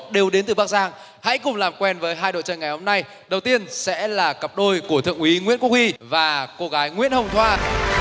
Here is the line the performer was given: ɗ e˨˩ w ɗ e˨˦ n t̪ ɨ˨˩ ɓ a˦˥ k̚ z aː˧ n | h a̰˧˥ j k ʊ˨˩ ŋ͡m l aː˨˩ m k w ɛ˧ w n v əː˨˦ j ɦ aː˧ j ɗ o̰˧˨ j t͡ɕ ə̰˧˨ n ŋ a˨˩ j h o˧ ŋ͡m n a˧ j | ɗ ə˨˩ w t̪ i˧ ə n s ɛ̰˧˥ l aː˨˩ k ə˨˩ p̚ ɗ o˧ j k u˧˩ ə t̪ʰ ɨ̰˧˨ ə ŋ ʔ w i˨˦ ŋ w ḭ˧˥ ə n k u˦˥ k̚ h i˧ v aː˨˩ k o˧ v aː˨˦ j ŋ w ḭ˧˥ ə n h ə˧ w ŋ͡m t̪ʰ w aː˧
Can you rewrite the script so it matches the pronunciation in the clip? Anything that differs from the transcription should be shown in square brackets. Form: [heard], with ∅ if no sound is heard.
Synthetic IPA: ɗ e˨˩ w ɗ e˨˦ n t̪ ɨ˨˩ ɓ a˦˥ k̚ z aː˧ [ŋ] | h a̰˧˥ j k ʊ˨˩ ŋ͡m l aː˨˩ m k w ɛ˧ [∅] n v əː˨˦ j ɦ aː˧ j ɗ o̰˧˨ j t͡ɕ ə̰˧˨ n ŋ a˨˩ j h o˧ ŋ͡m n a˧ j | ɗ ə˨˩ w t̪ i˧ ə n s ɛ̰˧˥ l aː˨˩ k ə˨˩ p̚ ɗ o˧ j k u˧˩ ə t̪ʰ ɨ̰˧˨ ə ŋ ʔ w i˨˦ ŋ w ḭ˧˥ ə n k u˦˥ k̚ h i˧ v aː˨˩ k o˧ [ɣ] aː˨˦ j ŋ w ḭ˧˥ ə n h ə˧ w ŋ͡m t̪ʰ w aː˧